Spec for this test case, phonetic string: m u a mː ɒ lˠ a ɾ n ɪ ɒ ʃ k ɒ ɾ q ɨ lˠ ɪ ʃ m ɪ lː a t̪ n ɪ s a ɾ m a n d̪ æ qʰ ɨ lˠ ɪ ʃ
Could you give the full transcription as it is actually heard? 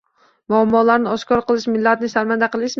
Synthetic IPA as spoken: m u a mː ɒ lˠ a ɾ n ɪ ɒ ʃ k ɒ ɾ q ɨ lˠ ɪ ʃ m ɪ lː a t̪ n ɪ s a ɾ m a n d̪ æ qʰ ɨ lˠ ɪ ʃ